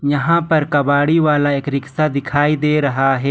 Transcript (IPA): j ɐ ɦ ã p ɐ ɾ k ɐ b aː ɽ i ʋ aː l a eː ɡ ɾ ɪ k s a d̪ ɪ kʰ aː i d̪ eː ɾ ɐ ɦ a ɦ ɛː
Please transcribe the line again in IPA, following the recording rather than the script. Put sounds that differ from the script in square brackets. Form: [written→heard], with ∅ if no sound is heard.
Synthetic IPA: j ɐ ɦ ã p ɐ ɾ k ɐ b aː ɽ i ʋ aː l a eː [ɡ→k] ɾ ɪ k s a d̪ ɪ kʰ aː i d̪ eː ɾ ɐ ɦ a ɦ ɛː